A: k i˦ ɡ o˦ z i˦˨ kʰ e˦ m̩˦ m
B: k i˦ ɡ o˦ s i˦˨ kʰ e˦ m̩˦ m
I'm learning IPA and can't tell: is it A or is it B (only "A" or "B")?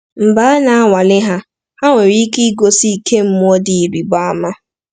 B